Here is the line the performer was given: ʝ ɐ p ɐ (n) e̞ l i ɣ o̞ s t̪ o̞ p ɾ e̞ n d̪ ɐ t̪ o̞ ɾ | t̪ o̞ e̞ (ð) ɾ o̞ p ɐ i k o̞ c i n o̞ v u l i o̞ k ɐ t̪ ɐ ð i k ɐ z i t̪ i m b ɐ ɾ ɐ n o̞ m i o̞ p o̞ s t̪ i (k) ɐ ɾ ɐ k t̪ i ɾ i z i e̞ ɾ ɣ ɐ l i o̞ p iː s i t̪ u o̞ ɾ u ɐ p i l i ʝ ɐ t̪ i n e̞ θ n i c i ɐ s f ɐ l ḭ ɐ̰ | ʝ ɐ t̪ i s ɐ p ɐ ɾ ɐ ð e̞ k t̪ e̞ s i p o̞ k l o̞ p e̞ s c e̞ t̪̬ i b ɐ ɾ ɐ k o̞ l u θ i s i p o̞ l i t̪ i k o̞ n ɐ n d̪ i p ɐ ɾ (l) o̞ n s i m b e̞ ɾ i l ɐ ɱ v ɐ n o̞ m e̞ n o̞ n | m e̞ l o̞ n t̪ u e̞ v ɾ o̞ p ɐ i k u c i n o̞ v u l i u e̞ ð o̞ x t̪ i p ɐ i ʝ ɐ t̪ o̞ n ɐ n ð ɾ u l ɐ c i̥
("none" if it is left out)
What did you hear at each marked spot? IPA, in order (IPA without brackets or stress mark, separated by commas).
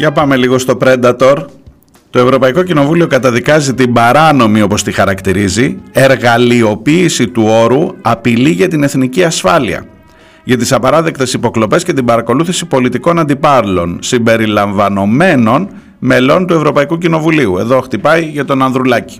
m, v, x, l